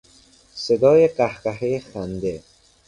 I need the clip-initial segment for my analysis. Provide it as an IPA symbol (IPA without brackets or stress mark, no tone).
s